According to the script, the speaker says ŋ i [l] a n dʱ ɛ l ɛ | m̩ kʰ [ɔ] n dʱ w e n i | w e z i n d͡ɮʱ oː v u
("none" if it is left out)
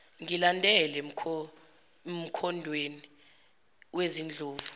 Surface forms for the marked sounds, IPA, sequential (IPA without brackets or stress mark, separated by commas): l, ɔ